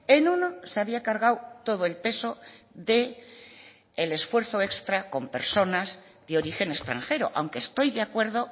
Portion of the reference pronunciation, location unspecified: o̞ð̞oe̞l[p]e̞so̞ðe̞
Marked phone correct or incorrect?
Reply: correct